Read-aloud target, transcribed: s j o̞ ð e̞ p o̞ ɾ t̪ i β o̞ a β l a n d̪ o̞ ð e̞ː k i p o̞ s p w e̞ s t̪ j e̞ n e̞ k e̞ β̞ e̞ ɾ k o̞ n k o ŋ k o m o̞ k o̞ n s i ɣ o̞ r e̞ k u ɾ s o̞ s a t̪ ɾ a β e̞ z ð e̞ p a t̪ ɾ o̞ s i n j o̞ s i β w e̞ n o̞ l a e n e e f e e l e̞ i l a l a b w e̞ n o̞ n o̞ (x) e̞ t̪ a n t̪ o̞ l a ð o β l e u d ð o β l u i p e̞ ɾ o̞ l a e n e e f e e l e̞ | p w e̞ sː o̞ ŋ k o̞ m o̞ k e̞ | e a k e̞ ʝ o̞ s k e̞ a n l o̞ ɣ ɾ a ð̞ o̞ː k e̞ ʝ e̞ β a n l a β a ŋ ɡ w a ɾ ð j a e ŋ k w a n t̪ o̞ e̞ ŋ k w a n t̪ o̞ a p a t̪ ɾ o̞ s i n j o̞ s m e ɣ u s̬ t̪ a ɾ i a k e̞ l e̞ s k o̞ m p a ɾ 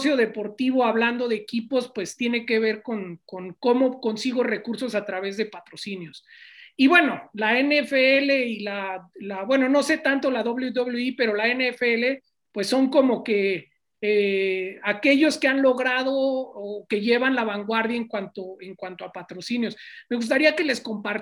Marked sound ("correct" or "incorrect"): incorrect